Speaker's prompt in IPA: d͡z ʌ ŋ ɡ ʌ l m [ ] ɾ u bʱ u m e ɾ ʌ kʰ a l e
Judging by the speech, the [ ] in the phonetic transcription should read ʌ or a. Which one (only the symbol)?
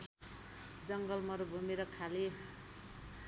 ʌ